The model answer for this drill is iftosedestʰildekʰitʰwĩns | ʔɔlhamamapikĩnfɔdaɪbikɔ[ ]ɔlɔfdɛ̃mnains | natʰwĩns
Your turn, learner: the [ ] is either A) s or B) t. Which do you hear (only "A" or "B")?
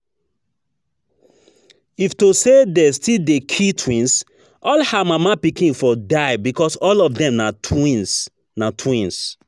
A